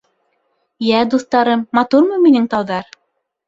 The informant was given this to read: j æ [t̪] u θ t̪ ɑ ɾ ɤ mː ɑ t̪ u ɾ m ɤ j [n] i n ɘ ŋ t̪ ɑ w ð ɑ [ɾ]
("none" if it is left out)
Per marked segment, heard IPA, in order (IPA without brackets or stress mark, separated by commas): d̪, m, ɾ